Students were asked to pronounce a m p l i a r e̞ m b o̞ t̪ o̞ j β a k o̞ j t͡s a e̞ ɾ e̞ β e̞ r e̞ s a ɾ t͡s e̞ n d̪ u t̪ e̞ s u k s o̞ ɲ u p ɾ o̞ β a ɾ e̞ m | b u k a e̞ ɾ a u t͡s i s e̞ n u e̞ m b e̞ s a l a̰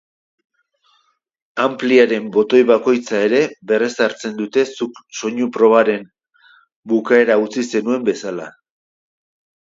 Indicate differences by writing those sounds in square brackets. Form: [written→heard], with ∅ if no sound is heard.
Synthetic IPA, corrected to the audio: a m p l i a [r→ɾ] e̞ m b o̞ t̪ o̞ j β a k o̞ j t͡s a e̞ ɾ e̞ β e̞ r e̞ s a ɾ t͡s e̞ n d̪ u t̪ e̞ s u k s o̞ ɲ u p ɾ o̞ β a ɾ e̞ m | b u k a e̞ ɾ a u t͡s i s e̞ n u e̞ m b e̞ s a l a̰